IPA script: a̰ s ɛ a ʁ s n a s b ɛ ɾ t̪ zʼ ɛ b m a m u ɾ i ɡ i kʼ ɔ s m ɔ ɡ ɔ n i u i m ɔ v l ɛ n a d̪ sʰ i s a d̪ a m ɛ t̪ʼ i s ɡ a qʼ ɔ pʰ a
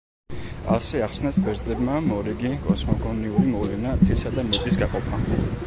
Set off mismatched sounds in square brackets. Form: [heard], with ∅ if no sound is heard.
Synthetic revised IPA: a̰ s ɛ a [χ] s n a s b ɛ ɾ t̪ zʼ ɛ b m a m [ɔ] ɾ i ɡ i kʼ ɔ s m ɔ ɡ ɔ n i u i m ɔ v l ɛ n a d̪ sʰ i s a d̪ a m ɛ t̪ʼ i s ɡ a qʼ ɔ pʰ a